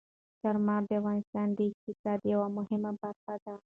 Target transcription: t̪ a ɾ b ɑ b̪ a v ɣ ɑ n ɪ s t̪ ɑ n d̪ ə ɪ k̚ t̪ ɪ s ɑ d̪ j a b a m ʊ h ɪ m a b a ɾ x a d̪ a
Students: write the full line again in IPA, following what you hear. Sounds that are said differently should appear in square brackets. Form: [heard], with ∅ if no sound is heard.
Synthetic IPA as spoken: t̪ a ɾ [m] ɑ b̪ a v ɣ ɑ n ɪ s t̪ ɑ n d̪ ə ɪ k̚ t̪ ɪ s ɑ d̪ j a [w] a m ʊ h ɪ m a b a ɾ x a d̪ a